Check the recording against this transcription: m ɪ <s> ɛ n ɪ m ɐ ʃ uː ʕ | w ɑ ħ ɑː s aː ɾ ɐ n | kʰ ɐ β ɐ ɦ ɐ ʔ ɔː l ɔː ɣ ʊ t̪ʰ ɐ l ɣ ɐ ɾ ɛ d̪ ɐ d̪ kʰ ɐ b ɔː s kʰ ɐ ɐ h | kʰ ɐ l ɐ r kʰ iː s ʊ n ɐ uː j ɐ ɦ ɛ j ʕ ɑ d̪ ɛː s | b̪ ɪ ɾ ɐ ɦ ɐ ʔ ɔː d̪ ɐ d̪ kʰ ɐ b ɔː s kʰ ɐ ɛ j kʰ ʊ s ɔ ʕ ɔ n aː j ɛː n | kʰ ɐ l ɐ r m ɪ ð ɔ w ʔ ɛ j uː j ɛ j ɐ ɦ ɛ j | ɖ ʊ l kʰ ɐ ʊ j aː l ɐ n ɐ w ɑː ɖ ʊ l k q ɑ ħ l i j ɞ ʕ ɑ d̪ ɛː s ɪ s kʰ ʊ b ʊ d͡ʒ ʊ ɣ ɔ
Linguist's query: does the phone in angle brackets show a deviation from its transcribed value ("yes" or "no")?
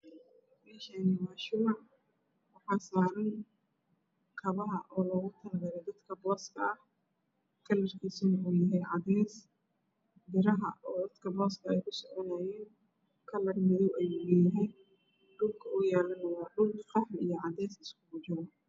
yes